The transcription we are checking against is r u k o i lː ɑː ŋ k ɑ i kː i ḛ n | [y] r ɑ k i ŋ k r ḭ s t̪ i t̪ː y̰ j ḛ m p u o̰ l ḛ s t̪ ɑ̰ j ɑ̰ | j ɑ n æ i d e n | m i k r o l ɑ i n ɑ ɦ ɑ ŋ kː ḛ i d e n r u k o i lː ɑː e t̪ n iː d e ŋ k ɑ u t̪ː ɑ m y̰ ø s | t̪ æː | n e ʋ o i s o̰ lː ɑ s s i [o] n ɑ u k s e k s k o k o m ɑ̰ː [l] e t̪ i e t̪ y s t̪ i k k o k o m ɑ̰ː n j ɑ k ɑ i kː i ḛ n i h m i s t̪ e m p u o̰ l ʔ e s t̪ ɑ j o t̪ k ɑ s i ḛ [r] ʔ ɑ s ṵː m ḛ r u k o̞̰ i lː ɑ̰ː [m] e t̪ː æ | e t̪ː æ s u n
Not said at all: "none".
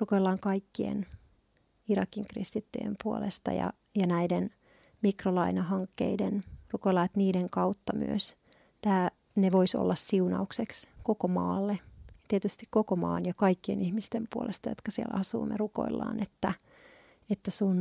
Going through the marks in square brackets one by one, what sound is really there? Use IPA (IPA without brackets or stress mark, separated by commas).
i, u, lː, l, n